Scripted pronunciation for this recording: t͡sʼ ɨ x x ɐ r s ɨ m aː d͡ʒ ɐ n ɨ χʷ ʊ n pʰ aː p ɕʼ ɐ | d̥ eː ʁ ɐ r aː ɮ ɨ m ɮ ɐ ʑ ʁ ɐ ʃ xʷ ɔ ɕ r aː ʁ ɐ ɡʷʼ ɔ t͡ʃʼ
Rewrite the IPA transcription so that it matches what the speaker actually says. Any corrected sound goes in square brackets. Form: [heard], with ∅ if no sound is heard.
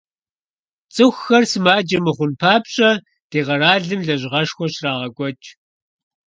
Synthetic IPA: t͡sʼ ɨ x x ɐ r s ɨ m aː d͡ʒ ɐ [m] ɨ χʷ ʊ n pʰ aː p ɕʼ ɐ | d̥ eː ʁ ɐ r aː ɮ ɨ m ɮ ɐ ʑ ʁ ɐ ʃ xʷ ɔ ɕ r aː ʁ ɐ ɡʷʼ ɔ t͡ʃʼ